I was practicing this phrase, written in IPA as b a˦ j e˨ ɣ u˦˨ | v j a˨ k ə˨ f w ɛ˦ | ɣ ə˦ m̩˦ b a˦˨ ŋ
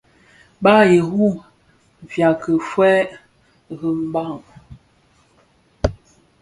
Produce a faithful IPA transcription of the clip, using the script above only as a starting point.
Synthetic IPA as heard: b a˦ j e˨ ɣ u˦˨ | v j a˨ k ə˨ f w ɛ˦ | ɣ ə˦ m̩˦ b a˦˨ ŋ

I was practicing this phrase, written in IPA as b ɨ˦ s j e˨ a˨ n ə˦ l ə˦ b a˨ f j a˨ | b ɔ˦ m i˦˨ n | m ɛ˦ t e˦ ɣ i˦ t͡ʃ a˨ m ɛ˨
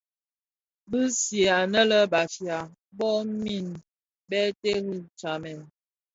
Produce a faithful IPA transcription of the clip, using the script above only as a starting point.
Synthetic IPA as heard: b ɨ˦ s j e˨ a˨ n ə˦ l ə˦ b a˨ f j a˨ | b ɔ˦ m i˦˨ n | b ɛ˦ t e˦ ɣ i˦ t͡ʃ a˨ m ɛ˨

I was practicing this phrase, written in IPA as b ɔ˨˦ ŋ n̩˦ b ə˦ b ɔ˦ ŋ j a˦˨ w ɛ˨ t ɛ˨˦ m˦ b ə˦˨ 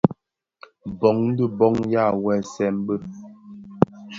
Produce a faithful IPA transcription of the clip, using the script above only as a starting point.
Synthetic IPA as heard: b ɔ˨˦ ŋ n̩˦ d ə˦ b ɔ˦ ŋ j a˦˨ w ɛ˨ s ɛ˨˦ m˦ b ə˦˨

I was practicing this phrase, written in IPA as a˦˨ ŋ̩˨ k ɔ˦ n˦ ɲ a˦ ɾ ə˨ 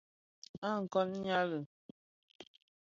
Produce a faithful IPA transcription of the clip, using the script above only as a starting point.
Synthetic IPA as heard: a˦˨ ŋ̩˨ k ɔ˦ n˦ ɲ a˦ l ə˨

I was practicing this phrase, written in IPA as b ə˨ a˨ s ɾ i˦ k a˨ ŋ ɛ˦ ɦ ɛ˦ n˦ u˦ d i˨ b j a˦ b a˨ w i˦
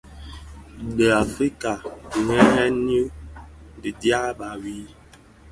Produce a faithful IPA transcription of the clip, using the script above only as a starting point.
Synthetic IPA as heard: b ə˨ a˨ f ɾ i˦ k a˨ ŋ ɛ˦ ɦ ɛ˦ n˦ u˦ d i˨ d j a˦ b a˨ w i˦

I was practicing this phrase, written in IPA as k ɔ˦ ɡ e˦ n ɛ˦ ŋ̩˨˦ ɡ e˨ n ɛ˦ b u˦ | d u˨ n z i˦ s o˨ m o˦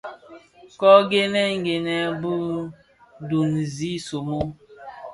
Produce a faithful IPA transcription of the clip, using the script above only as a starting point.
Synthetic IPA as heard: k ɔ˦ ɡ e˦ n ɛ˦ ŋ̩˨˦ ɡ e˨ n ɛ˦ b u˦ | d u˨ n z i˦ s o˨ m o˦

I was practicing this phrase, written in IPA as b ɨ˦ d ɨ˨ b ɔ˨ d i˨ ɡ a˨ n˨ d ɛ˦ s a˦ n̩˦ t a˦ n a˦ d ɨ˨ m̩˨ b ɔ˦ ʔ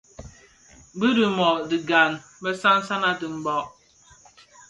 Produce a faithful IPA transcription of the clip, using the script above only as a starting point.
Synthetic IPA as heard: b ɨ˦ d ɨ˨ m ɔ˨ d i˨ ɡ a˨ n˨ b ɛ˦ s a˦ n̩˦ s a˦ n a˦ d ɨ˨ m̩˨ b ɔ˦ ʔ

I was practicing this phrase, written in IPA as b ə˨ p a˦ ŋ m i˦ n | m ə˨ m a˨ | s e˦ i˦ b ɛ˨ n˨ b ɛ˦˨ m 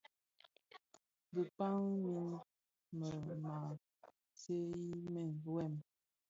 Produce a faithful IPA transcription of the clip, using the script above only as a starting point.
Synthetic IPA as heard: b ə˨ p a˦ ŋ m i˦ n | m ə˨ m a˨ | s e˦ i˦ m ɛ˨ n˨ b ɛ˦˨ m

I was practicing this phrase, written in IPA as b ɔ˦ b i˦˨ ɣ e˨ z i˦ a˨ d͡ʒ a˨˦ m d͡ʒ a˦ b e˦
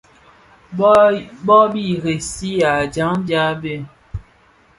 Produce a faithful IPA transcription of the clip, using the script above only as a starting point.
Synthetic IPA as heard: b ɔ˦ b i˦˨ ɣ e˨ s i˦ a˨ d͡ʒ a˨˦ ŋ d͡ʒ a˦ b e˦

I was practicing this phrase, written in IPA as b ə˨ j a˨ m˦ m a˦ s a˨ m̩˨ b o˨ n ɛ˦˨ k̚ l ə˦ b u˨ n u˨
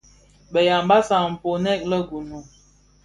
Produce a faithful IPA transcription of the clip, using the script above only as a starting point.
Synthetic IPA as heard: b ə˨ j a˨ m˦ b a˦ s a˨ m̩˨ p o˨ n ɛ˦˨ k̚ l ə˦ ɡ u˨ n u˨

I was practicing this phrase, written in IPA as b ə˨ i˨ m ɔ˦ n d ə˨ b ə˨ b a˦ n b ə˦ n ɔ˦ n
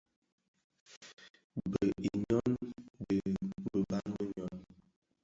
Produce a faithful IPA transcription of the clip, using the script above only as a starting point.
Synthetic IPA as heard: b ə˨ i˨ ɲ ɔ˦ n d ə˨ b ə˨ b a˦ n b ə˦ ɲ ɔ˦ n

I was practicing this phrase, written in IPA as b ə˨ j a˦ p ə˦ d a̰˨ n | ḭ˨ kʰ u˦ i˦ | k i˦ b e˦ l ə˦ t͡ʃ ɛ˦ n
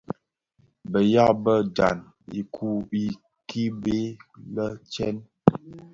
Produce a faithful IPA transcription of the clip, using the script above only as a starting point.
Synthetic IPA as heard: b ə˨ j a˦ b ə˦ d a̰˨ n | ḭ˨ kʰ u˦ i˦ | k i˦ b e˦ l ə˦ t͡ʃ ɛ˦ n

